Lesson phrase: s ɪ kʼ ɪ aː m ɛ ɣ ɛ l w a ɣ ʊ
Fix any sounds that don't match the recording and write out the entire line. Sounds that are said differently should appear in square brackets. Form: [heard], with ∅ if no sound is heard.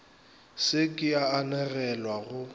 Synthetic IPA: s ɪ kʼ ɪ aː [n] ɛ ɣ ɛ l w a ɣ ʊ